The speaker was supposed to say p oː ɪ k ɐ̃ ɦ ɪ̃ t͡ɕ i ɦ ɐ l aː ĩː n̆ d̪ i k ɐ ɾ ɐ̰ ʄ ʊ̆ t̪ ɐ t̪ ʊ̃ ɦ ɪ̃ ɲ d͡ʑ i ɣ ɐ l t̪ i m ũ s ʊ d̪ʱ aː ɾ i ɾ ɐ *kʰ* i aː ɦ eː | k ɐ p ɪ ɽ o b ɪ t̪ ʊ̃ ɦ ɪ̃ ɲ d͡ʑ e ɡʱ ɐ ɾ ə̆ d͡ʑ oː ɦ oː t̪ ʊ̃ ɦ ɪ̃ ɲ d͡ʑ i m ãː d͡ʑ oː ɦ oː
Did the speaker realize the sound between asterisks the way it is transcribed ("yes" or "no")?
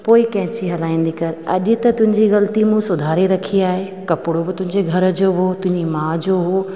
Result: yes